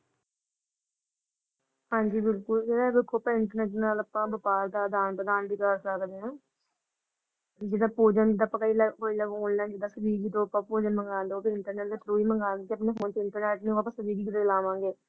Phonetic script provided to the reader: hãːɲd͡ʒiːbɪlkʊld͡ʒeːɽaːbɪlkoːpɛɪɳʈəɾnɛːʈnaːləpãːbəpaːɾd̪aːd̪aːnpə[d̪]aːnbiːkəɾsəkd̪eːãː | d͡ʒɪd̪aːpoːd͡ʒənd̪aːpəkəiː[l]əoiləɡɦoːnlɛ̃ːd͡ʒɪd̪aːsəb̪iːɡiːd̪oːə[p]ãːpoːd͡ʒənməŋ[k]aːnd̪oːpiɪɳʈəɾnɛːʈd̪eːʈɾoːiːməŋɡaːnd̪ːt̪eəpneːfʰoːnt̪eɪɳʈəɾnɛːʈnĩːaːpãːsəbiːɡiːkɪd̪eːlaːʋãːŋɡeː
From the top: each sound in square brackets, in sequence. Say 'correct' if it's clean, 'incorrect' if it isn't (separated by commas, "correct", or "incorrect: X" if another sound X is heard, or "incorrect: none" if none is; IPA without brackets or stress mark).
correct, correct, correct, incorrect: ɡ